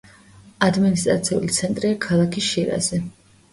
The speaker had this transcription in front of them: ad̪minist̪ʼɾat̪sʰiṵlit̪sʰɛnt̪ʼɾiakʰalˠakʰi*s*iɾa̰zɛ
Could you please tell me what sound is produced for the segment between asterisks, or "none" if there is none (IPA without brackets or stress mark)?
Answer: ʃ